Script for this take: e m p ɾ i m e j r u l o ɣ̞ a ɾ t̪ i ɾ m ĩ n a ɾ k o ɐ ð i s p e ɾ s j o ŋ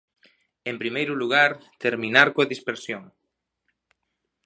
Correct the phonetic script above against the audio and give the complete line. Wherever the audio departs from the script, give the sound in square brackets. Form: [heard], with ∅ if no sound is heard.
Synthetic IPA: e m p ɾ i m e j [ɾ] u l [u] ɣ̞ a ɾ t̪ [e] ɾ m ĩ n a ɾ k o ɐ ð i s p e ɾ s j o ŋ